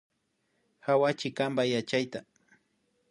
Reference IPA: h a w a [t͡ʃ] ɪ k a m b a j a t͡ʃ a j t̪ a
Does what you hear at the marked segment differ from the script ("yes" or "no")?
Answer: no